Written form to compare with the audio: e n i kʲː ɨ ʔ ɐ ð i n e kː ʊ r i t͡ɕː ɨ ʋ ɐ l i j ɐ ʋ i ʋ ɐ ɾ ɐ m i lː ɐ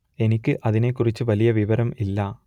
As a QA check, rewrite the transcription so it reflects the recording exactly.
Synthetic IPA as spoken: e n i kʲː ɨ ʔ ɐ ð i n e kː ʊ r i t͡ɕː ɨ ʋ ɐ l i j ɐ ʋ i ʋ ɐ ɾ ɐ m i lː ɐ